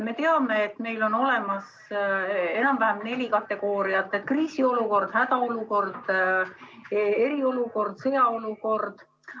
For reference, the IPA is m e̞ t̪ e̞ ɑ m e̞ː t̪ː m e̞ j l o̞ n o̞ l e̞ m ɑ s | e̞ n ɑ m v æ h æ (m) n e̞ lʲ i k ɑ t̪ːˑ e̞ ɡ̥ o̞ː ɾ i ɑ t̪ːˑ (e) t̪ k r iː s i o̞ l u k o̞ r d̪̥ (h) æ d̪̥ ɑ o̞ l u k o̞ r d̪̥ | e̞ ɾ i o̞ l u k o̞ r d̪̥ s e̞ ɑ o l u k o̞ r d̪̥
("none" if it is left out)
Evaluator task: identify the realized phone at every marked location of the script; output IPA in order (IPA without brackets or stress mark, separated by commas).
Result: m, e, h